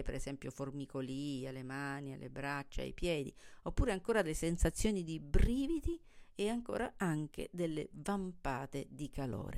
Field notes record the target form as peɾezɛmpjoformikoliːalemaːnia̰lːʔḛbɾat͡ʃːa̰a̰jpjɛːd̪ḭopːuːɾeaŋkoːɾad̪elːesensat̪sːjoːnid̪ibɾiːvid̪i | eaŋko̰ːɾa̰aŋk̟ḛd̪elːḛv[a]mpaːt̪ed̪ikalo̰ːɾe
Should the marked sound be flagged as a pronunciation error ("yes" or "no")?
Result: no